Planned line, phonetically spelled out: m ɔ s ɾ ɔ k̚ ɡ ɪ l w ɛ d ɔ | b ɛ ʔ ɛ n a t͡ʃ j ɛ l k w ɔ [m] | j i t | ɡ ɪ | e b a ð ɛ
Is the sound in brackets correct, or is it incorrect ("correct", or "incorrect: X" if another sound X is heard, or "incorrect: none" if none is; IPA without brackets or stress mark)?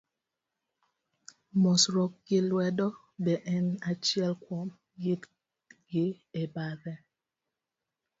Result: correct